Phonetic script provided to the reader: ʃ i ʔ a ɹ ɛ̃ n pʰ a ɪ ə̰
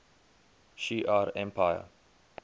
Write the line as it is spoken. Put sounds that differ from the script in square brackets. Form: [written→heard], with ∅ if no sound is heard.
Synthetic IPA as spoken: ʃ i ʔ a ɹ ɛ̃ [n→m] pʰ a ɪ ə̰

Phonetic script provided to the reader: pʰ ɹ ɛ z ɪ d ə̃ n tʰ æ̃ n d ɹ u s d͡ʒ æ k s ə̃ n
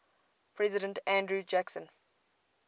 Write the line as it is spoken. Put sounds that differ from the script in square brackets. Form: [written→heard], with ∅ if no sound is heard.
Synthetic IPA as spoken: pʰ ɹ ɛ z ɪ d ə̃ n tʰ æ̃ n d ɹ u [s→∅] d͡ʒ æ k s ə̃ n

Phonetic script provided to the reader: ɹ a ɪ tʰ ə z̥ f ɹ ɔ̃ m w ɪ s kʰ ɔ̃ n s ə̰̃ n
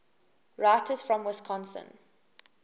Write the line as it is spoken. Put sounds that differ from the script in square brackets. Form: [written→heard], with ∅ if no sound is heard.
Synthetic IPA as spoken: ɹ a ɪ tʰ ə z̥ f ɹ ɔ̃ m w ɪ s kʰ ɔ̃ n s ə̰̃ n

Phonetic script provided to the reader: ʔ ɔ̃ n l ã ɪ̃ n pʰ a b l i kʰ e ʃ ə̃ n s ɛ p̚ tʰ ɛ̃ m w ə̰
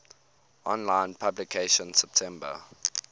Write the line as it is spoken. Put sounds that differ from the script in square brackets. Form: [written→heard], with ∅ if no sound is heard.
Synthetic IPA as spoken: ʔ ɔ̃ n l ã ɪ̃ n pʰ a b l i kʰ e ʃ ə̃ n s ɛ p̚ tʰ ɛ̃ m [w→b] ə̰

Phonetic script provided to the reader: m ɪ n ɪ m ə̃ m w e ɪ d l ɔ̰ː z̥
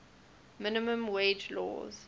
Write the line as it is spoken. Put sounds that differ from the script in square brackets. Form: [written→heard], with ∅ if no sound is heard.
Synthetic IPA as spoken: m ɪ n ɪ m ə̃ m w e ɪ [d→d͡ʒ] l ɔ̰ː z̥

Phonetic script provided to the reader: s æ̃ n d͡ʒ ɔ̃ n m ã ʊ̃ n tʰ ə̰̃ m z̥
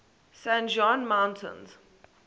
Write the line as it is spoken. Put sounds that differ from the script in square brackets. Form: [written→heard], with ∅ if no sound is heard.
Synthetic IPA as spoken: s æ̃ n d͡ʒ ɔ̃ n m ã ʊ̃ n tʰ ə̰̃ [m→n] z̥

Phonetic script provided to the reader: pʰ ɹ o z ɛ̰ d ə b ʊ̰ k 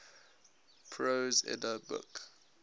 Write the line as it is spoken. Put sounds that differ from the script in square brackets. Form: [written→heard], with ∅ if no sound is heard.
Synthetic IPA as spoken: pʰ ɹ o z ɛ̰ d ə b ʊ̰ k

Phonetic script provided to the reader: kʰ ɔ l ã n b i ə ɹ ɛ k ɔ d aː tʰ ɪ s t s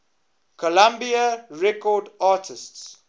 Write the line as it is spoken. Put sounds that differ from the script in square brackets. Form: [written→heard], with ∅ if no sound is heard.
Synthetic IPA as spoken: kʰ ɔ l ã [n→m] b i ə ɹ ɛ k ɔ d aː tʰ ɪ s t s

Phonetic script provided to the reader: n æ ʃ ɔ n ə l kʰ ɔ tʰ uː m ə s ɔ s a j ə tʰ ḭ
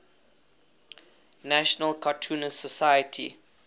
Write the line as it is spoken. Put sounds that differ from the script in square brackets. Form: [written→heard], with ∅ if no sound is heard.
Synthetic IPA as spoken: n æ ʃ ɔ n ə l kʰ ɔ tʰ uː [m→n] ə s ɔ s a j ə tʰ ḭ

